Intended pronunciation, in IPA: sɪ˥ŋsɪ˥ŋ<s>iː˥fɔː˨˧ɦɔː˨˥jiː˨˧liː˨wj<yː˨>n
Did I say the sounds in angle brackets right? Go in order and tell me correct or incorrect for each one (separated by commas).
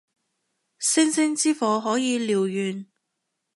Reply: incorrect, correct